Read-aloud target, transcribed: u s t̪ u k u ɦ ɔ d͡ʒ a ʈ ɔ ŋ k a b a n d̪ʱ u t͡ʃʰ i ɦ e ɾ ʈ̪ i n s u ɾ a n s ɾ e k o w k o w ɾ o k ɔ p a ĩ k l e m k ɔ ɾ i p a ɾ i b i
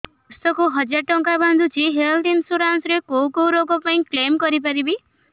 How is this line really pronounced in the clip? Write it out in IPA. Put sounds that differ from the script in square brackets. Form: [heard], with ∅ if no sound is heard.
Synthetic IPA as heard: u s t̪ [ɔ] k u ɦ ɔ d͡ʒ a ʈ ɔ ŋ k a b a n d̪ʱ u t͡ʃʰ i ɦ e [l] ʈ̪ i n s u ɾ a n s ɾ e k o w k o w ɾ o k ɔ p a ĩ k l e m k ɔ ɾ i p a ɾ i b i